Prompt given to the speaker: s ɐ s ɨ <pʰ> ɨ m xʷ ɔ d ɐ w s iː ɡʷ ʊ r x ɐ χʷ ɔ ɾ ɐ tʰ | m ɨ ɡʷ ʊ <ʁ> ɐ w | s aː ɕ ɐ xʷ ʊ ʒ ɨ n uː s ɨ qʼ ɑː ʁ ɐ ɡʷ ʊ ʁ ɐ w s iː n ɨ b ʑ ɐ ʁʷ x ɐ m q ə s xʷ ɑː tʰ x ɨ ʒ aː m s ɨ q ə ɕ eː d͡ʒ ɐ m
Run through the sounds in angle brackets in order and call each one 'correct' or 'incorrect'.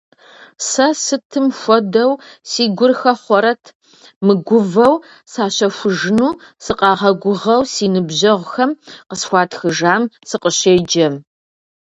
incorrect, incorrect

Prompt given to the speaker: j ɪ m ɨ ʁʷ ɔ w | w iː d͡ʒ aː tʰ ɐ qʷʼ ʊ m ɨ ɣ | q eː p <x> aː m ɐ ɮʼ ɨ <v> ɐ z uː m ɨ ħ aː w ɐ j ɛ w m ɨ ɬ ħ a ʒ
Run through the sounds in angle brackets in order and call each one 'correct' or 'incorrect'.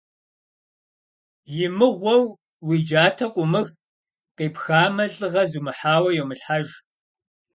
correct, incorrect

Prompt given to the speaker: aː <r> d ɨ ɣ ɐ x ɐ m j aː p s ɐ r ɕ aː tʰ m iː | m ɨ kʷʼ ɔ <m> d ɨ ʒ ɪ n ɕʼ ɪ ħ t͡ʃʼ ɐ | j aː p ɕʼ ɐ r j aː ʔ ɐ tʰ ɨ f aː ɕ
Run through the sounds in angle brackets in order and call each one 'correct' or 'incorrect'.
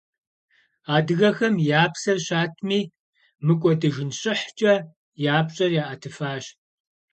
incorrect, incorrect

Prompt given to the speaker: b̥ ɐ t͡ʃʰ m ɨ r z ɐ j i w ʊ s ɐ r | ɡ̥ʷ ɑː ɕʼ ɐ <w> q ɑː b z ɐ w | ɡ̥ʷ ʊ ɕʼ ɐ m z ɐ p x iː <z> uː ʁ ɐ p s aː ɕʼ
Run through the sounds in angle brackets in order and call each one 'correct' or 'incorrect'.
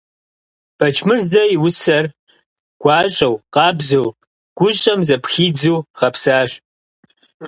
correct, incorrect

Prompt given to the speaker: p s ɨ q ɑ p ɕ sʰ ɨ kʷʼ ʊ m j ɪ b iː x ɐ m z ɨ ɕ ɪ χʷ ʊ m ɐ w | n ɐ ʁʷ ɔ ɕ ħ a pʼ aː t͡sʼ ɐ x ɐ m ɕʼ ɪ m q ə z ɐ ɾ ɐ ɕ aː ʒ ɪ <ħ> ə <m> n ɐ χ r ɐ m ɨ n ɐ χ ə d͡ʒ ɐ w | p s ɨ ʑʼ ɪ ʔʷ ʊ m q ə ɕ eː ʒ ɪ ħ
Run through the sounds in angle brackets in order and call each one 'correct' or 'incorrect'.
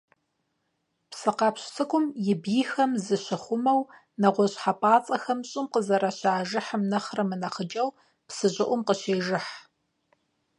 correct, correct

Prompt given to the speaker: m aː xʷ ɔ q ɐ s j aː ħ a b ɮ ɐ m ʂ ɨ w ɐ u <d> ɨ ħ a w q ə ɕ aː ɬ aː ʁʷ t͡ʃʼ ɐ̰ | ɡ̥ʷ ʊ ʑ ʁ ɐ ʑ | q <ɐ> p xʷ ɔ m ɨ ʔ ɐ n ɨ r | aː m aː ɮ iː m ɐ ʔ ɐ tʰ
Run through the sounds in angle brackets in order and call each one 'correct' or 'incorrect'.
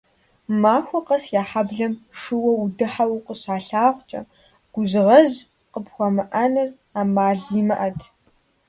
correct, incorrect

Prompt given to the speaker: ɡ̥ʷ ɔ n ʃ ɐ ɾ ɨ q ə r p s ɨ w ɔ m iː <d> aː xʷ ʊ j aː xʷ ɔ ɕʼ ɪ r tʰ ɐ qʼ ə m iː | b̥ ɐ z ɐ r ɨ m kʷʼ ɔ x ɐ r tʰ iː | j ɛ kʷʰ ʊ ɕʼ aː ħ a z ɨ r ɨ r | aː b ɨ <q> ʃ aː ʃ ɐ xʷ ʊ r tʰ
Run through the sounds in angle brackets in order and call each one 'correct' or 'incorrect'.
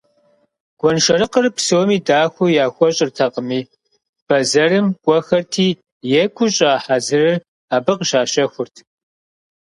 correct, correct

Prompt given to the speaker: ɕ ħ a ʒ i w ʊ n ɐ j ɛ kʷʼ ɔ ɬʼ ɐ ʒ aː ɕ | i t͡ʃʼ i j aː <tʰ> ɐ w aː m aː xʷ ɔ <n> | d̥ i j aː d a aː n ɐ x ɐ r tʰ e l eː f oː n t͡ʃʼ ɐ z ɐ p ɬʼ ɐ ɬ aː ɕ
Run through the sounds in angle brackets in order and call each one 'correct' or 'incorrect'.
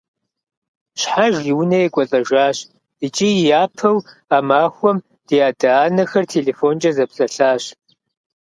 incorrect, incorrect

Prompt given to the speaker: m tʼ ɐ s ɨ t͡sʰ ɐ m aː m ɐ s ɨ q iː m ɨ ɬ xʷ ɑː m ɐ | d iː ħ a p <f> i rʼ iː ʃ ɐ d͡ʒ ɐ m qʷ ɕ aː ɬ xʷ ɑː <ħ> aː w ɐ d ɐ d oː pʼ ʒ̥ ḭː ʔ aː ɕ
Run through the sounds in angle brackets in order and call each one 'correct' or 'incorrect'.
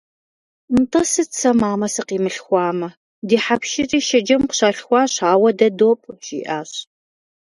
incorrect, incorrect

